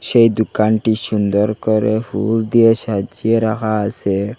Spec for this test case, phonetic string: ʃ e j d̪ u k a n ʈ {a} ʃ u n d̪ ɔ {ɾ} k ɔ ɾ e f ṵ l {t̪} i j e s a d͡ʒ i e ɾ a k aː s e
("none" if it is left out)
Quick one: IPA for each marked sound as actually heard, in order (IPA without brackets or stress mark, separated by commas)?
i, ɾ, d̪